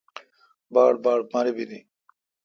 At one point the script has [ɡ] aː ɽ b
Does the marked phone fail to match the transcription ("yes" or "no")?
yes